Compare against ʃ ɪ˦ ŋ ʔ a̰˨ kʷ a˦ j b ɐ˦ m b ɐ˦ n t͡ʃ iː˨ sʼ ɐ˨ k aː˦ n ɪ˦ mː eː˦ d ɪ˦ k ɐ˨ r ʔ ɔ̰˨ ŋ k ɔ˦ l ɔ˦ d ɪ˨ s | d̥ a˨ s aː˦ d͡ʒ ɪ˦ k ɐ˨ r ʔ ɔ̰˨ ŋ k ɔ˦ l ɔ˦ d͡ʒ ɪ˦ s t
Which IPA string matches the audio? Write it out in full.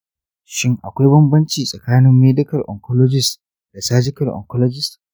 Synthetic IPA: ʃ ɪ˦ ŋ ʔ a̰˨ kʷ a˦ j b ɐ˦ m b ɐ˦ n t͡ʃ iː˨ sʼ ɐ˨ k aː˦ n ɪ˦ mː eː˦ d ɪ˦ k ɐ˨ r ʔ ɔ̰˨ ŋ k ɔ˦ l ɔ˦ d͡ʒ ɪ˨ s | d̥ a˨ s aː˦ d͡ʒ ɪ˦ k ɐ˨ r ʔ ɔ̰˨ ŋ k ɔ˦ l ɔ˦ d͡ʒ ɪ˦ s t